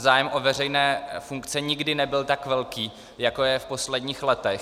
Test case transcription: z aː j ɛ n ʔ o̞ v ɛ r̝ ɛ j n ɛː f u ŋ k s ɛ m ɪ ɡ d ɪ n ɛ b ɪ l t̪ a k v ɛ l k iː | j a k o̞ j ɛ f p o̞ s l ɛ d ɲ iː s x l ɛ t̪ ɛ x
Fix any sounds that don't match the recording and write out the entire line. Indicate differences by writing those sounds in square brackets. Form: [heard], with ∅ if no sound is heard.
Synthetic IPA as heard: z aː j ɛ [m] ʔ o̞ v ɛ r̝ ɛ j n ɛː f u ŋ k [t͡s] ɛ [ɲ] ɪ ɡ d ɪ n ɛ b ɪ l t̪ a k v ɛ l k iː | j a k o̞ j ɛ f p o̞ s l ɛ d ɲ iː [∅] x l ɛ t̪ ɛ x